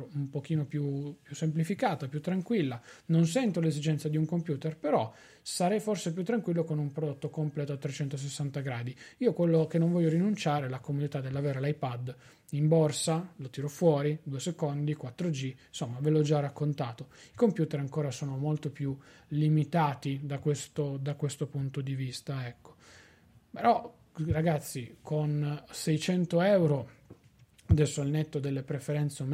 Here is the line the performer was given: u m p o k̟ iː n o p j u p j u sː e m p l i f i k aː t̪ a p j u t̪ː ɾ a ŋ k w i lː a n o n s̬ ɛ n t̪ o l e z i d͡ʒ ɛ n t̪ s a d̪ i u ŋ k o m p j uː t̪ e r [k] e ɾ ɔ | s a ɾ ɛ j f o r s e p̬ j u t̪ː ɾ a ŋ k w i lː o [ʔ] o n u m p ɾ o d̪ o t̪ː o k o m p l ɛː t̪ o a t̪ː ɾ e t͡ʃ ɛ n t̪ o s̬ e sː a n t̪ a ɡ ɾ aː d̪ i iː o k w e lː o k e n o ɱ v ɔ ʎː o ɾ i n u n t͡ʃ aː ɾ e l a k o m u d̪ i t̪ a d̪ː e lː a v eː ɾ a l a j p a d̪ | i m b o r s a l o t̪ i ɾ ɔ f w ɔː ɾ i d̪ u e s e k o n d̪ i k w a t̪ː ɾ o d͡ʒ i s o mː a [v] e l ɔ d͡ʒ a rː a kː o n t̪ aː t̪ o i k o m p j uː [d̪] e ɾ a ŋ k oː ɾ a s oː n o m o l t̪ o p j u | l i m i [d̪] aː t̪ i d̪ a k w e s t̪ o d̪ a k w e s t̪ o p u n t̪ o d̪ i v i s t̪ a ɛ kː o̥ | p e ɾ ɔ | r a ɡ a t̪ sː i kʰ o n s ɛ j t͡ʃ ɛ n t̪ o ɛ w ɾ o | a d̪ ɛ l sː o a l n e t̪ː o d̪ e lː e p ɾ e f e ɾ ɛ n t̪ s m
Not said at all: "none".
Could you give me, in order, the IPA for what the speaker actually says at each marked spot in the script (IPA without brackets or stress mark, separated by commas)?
p, k, v, t̪, t̪